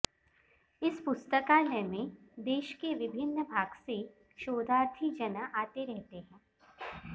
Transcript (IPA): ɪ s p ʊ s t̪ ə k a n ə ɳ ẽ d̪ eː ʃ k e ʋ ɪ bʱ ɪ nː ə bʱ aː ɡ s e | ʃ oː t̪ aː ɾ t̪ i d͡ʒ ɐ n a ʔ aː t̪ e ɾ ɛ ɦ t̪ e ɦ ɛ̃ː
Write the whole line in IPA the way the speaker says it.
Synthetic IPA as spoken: ɪ s p ʊ s t̪ ə k a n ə m ẽ d̪ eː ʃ k e ʋ ɪ bʱ ɪ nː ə bʱ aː ɡ s e | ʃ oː d̪ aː ɾ t̪ʰ i d͡ʒ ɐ n a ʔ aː t̪ e ɾ ɛ ɦ t̪ e ɦ ɛ̃ː